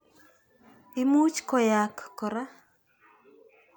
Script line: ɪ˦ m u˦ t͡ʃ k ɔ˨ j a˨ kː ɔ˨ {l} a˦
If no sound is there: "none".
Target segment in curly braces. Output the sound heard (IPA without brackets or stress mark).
ɾ